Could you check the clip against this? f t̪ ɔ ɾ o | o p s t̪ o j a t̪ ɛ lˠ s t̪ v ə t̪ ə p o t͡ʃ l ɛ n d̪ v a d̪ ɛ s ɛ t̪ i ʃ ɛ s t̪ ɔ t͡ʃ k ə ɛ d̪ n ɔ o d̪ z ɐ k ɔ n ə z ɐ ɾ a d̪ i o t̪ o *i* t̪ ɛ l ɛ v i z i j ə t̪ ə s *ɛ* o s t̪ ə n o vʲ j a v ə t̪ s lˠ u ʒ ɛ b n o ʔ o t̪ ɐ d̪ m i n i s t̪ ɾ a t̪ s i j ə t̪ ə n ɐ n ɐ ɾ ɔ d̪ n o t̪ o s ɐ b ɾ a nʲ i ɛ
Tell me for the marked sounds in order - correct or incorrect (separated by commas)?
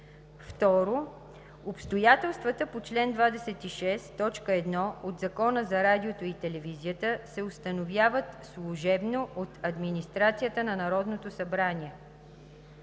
correct, correct